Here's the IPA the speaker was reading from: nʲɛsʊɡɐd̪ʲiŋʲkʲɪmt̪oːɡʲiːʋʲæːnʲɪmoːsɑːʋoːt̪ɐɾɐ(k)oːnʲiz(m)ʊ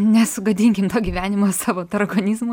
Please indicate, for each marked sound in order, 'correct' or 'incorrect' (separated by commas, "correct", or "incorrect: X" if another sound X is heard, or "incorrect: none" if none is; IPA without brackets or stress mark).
incorrect: ɡ, correct